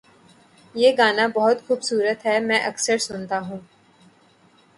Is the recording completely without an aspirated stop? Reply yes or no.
yes